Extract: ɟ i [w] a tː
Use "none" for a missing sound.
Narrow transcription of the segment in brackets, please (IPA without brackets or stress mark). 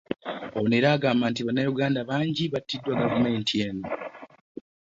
β